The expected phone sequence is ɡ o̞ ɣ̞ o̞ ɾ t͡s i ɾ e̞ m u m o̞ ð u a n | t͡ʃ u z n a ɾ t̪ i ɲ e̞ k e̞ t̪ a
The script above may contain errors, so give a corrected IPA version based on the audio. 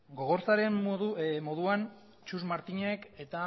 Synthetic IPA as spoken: ɡ o̞ ɣ̞ o̞ ɾ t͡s a ɾ e̞ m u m o̞ ð u a n | t͡ʃ u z m a ɾ t̪ i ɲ e̞ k e̞ t̪ a